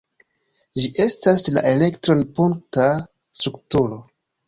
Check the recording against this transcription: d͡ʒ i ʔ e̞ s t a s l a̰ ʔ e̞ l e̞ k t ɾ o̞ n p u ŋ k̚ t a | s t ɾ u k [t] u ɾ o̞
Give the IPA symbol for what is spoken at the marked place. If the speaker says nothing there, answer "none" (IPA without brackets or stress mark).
t